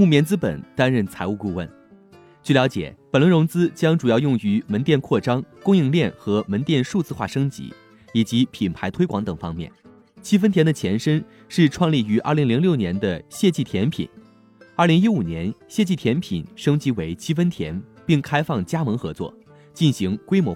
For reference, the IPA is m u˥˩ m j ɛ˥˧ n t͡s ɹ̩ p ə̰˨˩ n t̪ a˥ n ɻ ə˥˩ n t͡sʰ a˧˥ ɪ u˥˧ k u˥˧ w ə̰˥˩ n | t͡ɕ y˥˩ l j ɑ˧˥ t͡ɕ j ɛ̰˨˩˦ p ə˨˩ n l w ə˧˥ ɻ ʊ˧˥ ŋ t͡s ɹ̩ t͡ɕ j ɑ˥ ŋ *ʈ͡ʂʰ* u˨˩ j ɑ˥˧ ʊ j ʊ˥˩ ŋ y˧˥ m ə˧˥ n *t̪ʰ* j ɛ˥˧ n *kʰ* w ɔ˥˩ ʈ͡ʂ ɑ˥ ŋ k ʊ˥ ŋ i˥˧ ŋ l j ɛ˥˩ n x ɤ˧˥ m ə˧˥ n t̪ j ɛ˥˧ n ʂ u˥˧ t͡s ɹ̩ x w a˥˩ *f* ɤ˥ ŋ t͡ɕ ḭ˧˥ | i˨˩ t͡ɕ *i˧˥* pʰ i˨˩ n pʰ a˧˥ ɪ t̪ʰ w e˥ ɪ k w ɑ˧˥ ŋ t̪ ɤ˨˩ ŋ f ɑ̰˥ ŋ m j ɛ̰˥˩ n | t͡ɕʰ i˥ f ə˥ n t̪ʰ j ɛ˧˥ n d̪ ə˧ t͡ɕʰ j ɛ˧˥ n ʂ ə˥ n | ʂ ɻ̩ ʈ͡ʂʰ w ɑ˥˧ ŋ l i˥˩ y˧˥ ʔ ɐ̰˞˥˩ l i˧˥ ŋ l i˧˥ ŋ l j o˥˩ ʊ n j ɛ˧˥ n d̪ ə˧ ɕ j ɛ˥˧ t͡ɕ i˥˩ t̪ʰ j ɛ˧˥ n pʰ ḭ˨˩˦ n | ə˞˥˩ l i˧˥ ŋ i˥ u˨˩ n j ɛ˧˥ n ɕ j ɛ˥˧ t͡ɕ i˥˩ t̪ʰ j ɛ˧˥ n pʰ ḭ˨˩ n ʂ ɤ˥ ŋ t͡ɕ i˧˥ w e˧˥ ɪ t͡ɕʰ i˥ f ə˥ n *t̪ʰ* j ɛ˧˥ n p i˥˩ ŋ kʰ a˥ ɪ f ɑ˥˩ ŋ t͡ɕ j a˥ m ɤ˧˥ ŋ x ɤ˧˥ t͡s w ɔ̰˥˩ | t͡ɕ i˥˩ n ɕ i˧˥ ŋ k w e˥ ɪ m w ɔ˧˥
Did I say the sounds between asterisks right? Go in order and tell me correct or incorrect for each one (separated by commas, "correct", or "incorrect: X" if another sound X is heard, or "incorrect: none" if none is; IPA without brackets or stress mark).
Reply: incorrect: ʈ͡ʂ, incorrect: t̪, correct, incorrect: ʂ, correct, correct